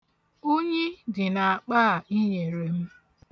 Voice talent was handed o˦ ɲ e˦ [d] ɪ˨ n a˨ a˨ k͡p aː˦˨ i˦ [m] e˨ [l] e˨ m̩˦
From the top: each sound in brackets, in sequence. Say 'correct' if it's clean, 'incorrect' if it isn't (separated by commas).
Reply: correct, incorrect, incorrect